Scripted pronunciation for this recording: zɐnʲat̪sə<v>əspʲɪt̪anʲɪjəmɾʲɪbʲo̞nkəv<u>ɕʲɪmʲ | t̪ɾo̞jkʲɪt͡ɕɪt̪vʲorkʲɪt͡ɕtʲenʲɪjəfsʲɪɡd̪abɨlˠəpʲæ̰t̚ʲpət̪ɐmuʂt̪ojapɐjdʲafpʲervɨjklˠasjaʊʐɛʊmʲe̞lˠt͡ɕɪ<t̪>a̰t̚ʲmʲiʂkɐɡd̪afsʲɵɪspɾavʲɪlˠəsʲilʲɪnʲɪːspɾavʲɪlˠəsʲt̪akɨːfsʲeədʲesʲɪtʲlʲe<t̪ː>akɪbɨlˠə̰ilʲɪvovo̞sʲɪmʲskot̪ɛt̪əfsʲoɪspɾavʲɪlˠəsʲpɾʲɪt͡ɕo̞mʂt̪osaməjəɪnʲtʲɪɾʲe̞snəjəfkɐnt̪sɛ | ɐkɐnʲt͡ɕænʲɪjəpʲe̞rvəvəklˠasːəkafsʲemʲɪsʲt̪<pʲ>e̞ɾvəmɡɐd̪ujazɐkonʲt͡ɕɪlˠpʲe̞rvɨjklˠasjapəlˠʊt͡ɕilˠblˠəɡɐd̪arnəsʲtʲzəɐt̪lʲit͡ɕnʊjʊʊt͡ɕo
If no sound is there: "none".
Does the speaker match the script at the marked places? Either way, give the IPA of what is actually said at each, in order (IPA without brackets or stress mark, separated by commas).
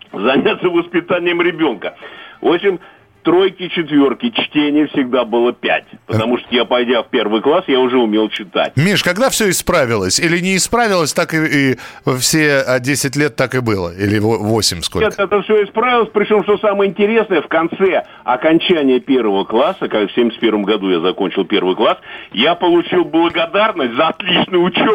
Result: v, o, t̪, t̪ː, pʲ